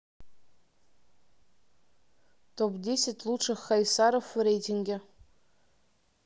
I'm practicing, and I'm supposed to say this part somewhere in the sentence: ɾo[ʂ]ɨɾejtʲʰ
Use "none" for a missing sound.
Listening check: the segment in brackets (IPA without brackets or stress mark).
f